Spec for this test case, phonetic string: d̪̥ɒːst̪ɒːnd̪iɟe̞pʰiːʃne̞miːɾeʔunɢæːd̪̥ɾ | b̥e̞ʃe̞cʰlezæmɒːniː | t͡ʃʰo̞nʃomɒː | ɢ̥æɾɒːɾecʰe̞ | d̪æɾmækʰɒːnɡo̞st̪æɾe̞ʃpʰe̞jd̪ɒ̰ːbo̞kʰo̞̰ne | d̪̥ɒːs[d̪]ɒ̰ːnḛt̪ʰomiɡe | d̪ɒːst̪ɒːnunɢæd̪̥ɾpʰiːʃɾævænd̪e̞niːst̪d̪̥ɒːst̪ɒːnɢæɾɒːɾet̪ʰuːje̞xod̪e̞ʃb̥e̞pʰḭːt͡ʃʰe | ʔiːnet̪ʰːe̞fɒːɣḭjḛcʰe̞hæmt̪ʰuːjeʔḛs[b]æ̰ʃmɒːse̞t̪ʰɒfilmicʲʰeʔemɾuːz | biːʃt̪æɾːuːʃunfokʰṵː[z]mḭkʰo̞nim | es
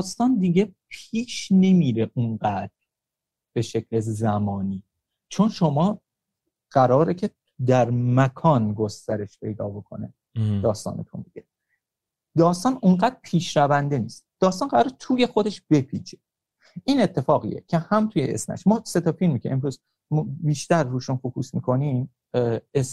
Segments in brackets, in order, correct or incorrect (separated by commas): incorrect, incorrect, incorrect